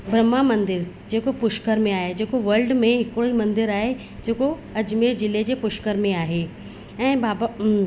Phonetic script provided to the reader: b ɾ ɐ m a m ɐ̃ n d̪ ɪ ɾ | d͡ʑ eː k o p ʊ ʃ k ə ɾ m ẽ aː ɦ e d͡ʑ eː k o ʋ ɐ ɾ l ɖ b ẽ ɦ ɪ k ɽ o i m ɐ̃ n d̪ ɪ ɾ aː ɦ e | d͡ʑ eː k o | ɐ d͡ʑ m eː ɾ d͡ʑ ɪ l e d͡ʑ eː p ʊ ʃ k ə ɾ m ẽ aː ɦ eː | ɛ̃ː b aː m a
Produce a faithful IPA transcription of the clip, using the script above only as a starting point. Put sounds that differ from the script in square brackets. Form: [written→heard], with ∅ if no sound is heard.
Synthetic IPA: b ɾ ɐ m a m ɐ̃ n d̪ ɪ ɾ | d͡ʑ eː k o p ʊ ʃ k ə ɾ m ẽ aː ɦ e d͡ʑ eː k o ʋ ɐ ɾ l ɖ [b→m] ẽ ɦ ɪ k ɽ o i m ɐ̃ n d̪ ɪ ɾ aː ɦ e | d͡ʑ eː k o | ɐ d͡ʑ m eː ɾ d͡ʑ ɪ l e d͡ʑ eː p ʊ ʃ k ə ɾ m ẽ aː ɦ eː | ɛ̃ː b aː [m→b] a